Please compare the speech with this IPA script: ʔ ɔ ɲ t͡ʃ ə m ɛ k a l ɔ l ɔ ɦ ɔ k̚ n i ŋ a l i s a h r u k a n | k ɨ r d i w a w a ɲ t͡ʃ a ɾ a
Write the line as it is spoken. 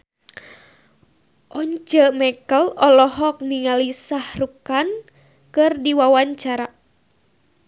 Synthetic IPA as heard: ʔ ɔ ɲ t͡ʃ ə m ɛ k ə l ɔ l ɔ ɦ ɔ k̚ n i ŋ a l i s a h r u k a n | k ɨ r d i w a w a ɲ t͡ʃ a ɾ a